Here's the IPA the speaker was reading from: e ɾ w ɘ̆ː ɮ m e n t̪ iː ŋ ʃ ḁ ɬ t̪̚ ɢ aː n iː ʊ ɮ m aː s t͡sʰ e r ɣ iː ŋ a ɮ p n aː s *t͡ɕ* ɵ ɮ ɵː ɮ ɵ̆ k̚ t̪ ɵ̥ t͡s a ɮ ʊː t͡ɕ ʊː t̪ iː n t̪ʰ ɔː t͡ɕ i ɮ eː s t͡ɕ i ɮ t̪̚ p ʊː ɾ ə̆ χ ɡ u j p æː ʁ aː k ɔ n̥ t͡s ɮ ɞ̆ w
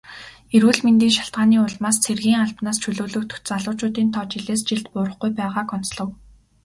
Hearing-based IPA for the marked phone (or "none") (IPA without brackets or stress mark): t͡ɕʰ